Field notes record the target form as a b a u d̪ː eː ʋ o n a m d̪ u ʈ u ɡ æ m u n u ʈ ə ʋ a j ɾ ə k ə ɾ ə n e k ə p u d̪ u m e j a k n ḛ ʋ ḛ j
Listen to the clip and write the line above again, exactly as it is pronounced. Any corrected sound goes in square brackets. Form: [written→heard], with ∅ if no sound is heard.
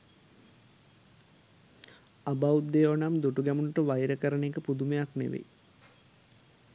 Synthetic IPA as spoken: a b a u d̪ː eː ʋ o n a m d̪ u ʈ u ɡ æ m u n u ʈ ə ʋ a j ɾ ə k ə ɾ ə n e k ə p u d̪ u m e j a k n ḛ ʋ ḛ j